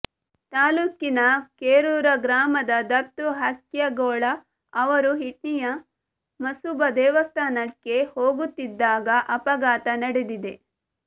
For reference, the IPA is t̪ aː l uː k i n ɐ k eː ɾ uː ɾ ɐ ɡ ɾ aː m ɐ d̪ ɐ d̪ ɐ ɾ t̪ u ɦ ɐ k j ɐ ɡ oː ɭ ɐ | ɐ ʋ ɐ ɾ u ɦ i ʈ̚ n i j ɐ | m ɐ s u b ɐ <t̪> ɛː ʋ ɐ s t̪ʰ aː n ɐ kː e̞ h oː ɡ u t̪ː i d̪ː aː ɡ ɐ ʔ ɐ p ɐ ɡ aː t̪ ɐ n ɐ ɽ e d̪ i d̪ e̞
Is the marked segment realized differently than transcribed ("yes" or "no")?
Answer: yes